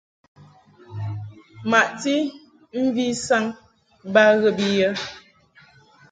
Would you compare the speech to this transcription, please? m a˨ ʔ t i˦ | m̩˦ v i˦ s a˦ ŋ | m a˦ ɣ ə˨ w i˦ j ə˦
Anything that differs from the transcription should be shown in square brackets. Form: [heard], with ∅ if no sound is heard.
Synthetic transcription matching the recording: m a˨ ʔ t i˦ | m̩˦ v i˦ s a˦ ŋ | [b] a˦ ɣ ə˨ [b] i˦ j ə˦